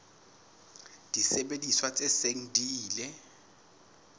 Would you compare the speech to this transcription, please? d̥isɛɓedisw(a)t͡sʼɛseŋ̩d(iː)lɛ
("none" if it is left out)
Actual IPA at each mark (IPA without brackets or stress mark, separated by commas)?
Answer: a, iː